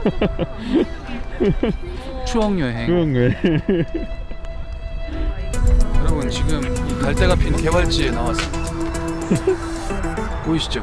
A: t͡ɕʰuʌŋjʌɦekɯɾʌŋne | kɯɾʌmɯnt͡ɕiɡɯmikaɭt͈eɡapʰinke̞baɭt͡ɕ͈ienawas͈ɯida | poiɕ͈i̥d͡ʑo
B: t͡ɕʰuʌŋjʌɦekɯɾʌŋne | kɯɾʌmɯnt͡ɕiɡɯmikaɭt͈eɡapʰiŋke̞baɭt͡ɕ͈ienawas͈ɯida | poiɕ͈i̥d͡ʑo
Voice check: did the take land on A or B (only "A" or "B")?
A